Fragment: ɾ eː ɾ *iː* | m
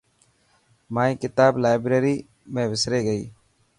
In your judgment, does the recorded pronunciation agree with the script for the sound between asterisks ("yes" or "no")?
yes